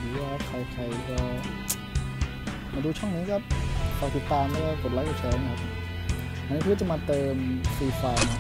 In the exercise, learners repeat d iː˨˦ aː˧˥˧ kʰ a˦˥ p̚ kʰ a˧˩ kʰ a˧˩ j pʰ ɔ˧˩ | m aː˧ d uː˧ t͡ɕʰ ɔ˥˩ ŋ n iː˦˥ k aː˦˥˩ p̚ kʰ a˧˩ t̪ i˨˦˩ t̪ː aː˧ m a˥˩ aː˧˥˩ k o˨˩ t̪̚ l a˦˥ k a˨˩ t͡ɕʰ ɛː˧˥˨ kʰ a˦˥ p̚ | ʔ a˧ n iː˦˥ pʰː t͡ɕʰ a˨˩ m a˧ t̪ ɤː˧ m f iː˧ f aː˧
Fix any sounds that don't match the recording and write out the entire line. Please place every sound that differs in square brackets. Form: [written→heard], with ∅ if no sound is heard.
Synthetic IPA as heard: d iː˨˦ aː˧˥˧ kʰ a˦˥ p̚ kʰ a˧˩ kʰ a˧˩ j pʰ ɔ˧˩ | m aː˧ d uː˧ t͡ɕʰ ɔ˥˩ ŋ n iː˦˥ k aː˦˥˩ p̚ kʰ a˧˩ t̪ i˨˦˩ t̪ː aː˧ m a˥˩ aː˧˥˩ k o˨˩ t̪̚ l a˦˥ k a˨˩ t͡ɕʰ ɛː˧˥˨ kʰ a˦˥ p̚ | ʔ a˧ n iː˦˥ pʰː [t͡ɕʰ→t͡ɕ] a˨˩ m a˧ t̪ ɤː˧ m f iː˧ f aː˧